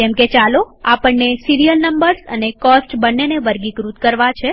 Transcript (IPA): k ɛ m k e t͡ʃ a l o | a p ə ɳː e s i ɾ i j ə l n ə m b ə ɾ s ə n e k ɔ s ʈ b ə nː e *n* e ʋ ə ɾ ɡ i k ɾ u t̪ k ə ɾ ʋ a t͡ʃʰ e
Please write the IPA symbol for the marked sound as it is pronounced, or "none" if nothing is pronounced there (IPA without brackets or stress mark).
n